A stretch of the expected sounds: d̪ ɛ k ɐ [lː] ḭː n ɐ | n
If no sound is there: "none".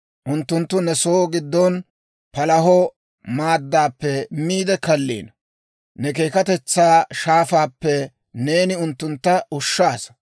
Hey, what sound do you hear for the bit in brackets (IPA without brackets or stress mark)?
lː